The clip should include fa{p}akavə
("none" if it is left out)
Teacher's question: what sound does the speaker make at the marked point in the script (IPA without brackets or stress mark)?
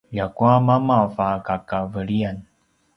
k